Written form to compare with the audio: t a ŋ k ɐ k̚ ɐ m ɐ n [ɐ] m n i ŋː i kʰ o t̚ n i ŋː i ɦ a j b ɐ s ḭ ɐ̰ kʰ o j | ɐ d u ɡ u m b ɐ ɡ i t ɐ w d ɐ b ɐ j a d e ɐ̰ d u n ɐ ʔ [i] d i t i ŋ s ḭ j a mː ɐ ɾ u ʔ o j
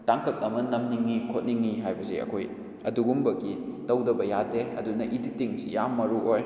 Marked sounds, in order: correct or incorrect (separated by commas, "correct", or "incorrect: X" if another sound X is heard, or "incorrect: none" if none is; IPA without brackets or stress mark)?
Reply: correct, correct